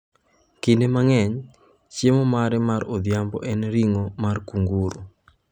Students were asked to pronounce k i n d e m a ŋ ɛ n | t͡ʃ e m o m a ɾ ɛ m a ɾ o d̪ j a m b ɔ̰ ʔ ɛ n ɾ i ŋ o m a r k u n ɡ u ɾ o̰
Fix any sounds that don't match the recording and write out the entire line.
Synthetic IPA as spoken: k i n d e m a ŋ ɛ ɲ | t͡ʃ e m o m a ɾ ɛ m a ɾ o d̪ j a m b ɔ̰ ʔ ɛ n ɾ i ŋ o m a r k u ŋ ɡ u ɾ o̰